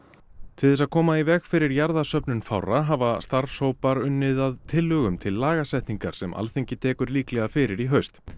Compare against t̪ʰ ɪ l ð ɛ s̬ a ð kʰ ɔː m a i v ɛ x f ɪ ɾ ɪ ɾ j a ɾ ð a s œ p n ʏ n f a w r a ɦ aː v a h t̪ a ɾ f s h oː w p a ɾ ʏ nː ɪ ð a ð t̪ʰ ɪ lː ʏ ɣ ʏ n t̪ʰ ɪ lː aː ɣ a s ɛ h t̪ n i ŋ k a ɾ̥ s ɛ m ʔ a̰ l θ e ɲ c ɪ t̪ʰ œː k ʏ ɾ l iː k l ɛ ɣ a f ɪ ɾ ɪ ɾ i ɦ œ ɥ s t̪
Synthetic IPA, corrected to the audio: t̪ʰ ɪ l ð ɛ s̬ a ð kʰ ɔː m a i v ɛ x f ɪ ɾ ɪ ɾ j a ɾ ð a s œ p n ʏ n f a w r a ɦ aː v a s t̪ a ɾ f s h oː w p a ɾ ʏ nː ɪ ð a ð t̪ʰ ɪ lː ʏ ɣ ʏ m t̪ʰ ɪ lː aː ɣ a s ɛ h t̪ n i ŋ k a ɾ̥ s ɛ m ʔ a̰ l θ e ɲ c ɪ t̪ʰ ɛː k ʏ ɾ l iː k l ɛ ɣ a f ɪ ɾ ɪ ɾ i ɦ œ ɥ s t̪